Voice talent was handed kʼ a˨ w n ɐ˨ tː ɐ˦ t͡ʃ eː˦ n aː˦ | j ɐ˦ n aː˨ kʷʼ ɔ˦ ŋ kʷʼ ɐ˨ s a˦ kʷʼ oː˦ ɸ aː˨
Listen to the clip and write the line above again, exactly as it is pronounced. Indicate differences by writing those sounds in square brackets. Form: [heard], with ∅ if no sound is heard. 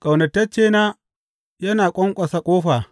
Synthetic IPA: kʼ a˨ w n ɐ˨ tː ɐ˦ t͡ʃ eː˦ n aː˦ | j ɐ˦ n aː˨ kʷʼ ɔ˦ ŋ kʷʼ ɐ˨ s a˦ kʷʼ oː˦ ɸ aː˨